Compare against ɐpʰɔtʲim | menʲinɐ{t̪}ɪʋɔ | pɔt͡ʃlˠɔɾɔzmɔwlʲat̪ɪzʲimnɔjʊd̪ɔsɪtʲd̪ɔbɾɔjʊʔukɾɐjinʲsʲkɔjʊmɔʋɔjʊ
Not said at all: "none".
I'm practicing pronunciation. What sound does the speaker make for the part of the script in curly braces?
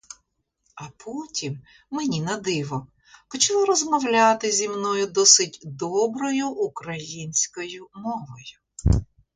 d̪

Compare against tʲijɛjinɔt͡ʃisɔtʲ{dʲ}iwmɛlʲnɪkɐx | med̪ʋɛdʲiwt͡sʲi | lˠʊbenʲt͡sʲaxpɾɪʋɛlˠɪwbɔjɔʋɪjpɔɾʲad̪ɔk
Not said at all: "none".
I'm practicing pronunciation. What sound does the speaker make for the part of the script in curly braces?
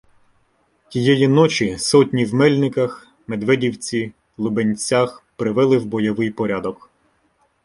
nʲ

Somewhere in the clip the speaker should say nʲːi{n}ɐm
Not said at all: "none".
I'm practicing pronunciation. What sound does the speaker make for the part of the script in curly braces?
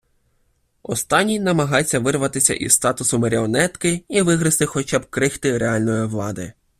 n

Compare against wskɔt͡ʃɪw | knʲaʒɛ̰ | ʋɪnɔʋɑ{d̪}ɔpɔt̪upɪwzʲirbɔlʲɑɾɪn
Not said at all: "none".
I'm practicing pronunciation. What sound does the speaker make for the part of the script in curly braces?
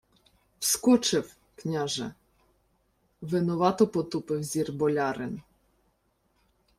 t̪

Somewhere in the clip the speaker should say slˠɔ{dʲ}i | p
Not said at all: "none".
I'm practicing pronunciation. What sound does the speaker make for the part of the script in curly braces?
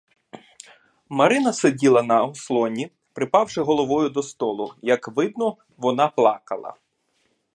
nʲ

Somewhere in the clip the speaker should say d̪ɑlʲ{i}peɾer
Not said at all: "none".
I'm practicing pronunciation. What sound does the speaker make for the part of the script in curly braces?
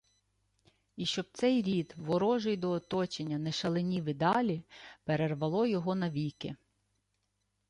i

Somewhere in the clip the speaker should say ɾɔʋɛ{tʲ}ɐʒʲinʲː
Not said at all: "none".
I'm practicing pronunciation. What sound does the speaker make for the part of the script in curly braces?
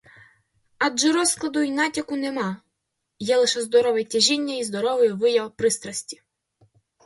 tʲ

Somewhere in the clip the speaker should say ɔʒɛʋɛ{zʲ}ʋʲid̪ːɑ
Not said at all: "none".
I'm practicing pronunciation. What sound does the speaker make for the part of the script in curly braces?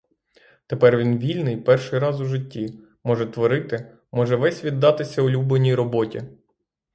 sʲ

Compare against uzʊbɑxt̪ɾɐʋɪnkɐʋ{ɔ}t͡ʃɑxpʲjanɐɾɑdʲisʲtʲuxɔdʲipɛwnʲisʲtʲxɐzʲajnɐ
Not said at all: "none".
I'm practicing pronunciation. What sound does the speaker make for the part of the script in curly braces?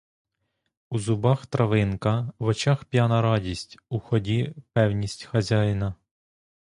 ɔ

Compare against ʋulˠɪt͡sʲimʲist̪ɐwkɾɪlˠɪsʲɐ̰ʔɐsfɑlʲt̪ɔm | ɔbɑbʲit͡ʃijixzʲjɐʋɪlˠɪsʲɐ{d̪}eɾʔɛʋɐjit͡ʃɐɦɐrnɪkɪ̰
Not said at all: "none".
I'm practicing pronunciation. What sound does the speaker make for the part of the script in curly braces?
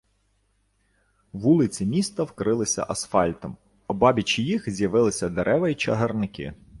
d̪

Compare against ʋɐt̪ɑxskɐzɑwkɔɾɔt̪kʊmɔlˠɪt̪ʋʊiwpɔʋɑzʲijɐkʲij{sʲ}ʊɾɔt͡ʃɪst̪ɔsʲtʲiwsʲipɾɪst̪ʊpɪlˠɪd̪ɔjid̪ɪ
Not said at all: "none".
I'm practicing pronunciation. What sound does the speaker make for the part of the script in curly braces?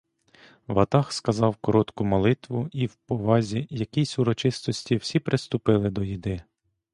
sʲ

